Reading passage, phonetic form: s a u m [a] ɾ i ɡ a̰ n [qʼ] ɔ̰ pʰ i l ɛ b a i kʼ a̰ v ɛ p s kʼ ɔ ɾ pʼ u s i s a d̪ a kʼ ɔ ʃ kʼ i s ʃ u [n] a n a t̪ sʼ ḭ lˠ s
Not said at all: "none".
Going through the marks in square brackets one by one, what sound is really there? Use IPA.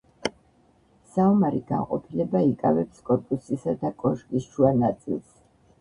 a, qʼ, none

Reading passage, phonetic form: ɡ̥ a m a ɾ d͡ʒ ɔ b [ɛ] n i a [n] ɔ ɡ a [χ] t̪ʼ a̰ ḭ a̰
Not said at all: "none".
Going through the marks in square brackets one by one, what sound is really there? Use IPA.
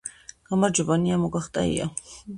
a, m, χ

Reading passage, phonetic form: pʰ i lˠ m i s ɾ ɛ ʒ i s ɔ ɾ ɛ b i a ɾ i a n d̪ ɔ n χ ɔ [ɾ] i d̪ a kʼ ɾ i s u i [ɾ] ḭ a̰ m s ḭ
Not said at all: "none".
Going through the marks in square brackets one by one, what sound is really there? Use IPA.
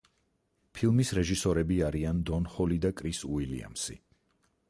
l, l

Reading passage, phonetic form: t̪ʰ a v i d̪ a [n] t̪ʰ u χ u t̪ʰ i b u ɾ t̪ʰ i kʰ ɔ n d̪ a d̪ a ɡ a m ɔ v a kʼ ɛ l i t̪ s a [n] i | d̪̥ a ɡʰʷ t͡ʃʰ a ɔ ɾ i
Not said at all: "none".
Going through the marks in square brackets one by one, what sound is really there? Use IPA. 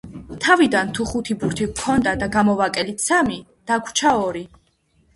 n, m

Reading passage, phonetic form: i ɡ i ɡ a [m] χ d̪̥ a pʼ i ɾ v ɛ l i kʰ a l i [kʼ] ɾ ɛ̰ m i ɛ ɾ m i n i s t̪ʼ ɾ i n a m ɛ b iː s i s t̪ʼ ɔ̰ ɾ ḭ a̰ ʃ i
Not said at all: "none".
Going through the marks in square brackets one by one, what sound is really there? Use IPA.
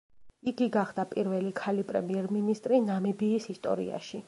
none, pʼ

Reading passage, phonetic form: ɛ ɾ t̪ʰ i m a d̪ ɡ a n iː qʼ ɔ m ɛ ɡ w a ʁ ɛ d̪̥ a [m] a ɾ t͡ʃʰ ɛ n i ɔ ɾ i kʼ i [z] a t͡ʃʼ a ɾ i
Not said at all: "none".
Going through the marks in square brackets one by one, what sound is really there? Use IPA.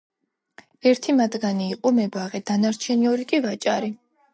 n, v

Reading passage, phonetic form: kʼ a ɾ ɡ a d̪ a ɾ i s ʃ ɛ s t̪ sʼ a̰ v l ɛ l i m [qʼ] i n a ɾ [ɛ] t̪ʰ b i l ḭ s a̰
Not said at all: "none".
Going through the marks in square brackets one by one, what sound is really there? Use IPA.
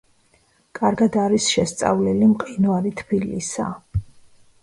qʼ, i

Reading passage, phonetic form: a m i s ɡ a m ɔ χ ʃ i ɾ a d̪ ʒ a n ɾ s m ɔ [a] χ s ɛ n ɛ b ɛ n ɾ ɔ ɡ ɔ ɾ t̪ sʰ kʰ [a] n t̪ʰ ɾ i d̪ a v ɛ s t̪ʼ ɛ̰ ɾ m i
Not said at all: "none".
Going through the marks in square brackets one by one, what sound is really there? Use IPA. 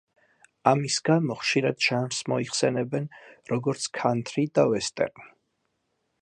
i, a

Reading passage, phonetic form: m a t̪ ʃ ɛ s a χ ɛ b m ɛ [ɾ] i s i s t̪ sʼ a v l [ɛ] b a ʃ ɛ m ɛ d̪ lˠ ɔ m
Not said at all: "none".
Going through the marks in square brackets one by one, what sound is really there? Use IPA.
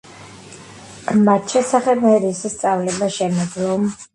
ɾ, ɛ

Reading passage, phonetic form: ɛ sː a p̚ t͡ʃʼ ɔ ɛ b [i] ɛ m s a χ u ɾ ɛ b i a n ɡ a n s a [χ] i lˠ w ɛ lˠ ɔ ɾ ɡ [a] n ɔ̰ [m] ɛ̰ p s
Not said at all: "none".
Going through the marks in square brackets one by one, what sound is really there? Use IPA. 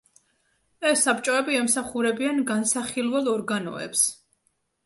i, χ, a, none

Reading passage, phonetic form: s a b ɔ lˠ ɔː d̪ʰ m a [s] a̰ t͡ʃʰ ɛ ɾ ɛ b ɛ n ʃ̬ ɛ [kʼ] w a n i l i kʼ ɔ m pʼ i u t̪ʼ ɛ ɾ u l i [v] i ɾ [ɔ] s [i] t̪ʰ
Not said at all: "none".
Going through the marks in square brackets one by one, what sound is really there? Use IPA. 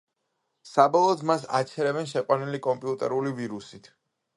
s, qʼ, v, u, i

